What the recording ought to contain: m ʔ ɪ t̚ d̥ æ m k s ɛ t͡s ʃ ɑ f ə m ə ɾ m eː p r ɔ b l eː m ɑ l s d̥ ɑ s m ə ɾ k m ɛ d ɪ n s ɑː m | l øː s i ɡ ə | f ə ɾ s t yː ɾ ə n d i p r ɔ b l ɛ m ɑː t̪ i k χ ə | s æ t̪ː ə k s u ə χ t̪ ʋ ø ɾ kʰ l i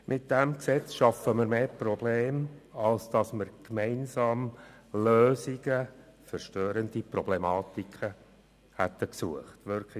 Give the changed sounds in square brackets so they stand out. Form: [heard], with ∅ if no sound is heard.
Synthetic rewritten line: m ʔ ɪ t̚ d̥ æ m k s ɛ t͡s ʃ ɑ f ə m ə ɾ m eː p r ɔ b l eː m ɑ l s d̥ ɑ s m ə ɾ k m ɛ [∅] ɪ n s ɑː m | l øː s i ɡ ə | f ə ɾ [ʃ] t [øː] ɾ ə n d i p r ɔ b l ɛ m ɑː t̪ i k χ ə | [h] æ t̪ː ə k s u ə χ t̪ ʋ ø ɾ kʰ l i